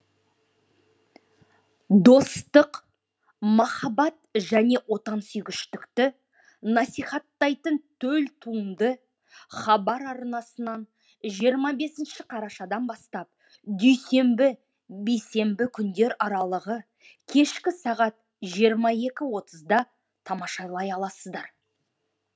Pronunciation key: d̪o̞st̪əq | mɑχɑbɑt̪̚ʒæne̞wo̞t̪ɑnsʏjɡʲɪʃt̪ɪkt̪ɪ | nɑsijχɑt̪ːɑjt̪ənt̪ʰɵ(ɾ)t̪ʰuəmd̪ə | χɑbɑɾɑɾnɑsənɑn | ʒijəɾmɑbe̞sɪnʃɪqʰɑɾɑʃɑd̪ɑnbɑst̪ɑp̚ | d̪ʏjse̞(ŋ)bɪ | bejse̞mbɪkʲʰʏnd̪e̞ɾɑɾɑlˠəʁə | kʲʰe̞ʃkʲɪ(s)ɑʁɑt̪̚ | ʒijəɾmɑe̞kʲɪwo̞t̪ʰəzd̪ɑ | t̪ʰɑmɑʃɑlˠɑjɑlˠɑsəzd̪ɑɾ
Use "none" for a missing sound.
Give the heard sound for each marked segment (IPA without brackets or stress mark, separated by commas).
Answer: l, m, s